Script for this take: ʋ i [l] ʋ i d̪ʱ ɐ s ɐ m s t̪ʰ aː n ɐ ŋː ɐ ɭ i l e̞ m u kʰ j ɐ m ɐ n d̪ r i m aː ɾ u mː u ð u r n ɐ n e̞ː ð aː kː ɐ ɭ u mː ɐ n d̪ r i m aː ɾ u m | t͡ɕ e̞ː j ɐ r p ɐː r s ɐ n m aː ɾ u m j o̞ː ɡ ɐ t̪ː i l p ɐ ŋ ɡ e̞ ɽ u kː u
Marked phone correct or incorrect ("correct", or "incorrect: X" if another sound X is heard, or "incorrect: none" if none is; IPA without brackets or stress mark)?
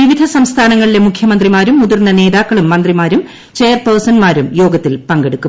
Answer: incorrect: none